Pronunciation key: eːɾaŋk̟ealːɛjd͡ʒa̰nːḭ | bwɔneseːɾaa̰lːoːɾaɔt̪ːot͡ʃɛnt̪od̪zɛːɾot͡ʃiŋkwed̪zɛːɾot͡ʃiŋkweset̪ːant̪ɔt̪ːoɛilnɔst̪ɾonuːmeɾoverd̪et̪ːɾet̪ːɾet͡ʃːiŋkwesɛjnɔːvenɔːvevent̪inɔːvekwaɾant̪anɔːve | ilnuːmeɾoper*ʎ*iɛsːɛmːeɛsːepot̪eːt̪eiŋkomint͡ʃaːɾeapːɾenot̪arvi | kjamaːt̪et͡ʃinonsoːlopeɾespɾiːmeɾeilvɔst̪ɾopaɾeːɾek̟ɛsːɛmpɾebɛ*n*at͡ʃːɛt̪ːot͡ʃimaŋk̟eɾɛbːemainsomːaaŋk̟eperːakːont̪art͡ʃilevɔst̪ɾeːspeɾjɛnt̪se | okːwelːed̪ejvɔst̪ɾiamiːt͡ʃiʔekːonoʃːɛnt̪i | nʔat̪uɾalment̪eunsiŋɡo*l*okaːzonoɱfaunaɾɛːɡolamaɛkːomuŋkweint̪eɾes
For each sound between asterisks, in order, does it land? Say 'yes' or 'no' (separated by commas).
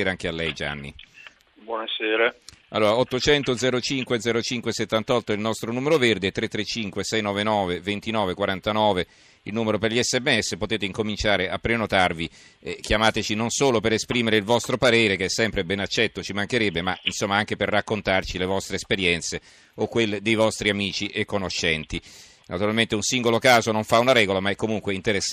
yes, yes, yes